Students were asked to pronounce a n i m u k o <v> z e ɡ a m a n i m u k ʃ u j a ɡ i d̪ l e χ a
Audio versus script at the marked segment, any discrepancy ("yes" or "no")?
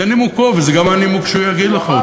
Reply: no